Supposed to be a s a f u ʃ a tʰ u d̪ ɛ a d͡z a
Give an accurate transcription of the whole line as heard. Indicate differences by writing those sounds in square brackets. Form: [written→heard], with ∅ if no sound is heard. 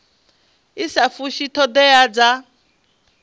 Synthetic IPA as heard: [a→i] s a f u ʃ [a→i] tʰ [u→ɔ] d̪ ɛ a d͡z a